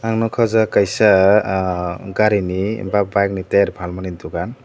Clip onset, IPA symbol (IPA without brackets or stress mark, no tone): a